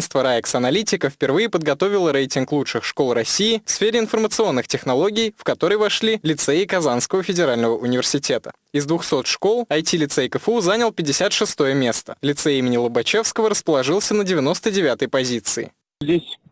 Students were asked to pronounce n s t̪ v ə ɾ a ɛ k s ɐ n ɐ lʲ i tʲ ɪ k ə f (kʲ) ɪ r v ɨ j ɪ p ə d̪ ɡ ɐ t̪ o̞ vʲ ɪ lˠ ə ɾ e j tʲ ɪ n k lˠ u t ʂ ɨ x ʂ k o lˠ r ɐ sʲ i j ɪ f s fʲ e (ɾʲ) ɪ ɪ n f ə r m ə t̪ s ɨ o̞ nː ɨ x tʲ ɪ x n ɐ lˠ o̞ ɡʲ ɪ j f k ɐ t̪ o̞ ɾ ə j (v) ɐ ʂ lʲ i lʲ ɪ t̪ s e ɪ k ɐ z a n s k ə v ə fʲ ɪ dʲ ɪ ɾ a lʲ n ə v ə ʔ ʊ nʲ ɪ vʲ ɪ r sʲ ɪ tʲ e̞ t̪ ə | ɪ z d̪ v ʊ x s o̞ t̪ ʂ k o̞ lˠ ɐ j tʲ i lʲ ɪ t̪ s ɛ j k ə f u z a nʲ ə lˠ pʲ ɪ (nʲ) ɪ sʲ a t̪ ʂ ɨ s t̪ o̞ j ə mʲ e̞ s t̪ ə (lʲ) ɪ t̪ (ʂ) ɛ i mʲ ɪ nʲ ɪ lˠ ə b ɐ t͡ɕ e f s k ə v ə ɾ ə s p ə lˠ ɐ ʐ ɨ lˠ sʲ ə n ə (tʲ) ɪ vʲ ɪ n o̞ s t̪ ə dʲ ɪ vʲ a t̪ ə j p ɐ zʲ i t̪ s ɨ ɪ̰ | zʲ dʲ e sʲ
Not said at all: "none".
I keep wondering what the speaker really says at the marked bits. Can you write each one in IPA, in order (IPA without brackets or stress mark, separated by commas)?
pʲ, ɾʲ, v, dʲ, lʲ, s, dʲ